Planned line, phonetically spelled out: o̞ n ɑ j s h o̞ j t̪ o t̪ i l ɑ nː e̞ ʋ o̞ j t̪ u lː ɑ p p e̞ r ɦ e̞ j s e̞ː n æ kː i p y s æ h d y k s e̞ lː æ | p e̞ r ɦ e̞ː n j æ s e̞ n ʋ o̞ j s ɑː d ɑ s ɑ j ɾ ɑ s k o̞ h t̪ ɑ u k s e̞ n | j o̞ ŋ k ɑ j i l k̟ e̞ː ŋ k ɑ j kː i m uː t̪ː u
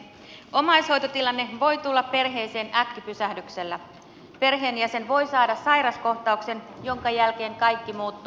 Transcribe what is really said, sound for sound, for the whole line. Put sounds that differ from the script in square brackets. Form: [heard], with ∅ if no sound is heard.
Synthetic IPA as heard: o̞ [m] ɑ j s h o̞ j t̪ o t̪ i l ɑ nː e̞ ʋ o̞ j t̪ u lː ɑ p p e̞ r ɦ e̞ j s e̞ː n æ kː i p y s æ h d y k s e̞ lː æ | p e̞ r ɦ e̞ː n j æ s e̞ n ʋ o̞ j s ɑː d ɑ s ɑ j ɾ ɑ s k o̞ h t̪ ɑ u k s e̞ n | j o̞ ŋ k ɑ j [æ] l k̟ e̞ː ŋ k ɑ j kː i m uː t̪ː u